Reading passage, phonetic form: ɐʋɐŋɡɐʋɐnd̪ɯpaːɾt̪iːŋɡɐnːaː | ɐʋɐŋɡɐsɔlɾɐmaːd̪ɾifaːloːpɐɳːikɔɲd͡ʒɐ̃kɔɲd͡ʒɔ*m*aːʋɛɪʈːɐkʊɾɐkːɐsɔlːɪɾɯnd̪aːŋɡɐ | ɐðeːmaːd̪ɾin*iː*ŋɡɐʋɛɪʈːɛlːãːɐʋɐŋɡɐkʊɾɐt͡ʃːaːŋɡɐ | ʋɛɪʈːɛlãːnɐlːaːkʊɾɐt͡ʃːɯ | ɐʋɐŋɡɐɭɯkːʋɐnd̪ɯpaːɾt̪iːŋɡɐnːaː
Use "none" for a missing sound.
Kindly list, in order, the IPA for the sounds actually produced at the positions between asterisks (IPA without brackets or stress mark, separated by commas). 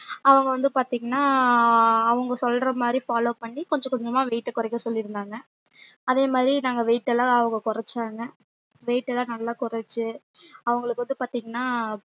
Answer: m, aː